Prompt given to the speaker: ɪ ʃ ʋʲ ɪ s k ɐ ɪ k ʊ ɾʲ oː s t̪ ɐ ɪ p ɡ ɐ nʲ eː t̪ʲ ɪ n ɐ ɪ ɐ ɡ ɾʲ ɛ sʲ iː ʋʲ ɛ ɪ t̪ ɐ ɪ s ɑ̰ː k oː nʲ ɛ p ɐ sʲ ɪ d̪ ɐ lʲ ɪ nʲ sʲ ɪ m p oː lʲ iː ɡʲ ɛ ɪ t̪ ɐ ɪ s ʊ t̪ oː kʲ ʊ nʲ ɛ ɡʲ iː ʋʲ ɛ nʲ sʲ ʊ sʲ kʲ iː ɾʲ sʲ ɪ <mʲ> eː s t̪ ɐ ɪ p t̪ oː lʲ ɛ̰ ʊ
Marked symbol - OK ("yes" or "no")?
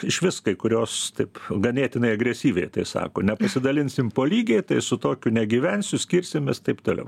yes